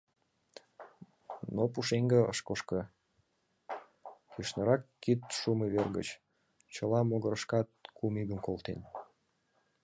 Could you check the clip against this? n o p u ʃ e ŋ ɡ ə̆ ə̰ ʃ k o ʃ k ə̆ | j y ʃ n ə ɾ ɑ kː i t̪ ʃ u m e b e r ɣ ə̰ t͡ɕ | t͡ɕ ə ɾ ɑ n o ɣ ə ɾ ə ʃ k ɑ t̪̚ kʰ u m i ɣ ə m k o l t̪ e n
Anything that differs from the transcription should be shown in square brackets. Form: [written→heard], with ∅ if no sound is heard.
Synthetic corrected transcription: n o p u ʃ e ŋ ɡ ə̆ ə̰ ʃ k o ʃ k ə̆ | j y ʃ n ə ɾ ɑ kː i t̪ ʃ u m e [b→β] e r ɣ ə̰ t͡ɕ | t͡ɕ ə [ɾ→l] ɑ [n→m] o ɣ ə ɾ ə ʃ k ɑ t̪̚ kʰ u m i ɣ ə m k o l t̪ e n